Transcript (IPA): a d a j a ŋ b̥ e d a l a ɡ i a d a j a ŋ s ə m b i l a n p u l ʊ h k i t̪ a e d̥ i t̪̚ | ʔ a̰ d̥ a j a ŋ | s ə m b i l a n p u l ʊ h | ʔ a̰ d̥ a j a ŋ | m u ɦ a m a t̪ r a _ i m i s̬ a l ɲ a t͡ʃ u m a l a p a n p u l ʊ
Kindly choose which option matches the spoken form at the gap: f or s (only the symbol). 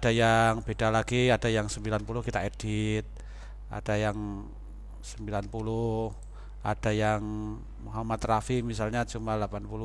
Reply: f